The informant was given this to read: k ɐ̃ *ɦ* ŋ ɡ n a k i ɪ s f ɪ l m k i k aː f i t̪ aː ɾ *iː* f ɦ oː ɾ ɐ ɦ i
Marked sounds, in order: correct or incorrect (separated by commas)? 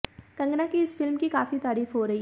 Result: incorrect, correct